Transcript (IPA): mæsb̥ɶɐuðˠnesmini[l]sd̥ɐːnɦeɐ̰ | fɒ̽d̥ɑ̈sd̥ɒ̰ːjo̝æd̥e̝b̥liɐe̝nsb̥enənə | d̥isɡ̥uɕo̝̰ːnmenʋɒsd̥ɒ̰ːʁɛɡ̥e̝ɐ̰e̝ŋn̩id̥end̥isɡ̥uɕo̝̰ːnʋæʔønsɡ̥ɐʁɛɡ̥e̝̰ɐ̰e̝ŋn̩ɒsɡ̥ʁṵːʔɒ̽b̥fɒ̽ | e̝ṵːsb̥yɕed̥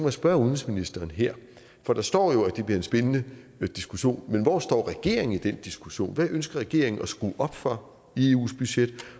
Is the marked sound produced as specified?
no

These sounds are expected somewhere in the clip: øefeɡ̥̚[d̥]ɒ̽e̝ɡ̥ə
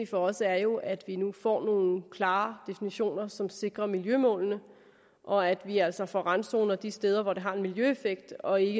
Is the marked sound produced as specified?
yes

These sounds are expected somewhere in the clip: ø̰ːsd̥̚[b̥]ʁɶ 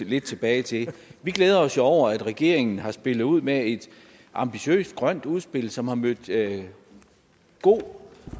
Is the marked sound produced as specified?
no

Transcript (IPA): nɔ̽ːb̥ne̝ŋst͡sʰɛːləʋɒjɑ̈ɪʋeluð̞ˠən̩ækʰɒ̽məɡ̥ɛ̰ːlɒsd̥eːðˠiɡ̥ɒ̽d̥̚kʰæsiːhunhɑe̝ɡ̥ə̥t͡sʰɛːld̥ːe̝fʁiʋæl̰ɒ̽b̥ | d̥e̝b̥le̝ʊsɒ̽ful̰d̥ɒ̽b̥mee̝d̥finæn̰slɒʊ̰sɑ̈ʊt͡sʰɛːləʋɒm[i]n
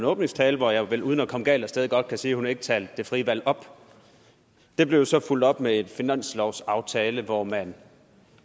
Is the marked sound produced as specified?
no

